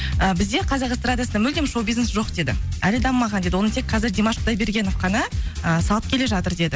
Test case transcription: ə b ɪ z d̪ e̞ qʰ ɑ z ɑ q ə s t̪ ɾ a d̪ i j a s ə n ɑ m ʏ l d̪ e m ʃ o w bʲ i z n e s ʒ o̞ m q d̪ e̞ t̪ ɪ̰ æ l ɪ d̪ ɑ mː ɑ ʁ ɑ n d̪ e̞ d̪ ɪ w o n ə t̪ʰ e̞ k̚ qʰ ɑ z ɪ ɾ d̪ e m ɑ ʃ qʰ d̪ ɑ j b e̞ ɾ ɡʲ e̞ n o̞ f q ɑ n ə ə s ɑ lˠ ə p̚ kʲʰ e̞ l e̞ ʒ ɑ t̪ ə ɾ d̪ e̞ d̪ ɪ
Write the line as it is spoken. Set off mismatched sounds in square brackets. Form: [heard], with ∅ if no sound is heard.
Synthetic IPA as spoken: ə b ɪ z d̪ e̞ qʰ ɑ z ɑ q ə s t̪ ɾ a d̪ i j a s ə n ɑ m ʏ l d̪ e m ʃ o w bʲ i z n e s ʒ o̞ [∅] q d̪ e̞ [d̪] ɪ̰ æ l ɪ d̪ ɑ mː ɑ ʁ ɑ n d̪ e̞ d̪ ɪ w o n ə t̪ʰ e̞ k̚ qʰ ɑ z ɪ ɾ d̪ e m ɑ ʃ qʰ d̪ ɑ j b e̞ ɾ ɡʲ e̞ n o̞ f q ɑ n ə ə s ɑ lˠ ə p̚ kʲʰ e̞ l e̞ ʒ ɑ t̪ ə ɾ d̪ e̞ d̪ ɪ